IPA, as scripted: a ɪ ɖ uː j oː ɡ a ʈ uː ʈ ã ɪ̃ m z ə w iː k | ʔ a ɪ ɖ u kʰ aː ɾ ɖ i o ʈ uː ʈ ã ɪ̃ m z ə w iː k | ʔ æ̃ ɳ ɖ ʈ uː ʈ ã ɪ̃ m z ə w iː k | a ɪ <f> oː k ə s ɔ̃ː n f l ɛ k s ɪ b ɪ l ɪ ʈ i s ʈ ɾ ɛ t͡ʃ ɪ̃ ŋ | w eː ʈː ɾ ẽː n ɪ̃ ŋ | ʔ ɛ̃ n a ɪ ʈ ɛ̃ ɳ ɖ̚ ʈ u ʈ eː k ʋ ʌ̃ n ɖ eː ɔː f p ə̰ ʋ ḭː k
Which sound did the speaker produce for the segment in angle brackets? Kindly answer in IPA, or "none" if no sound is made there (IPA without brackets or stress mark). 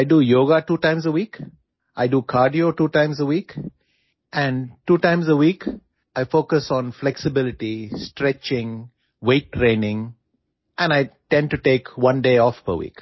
f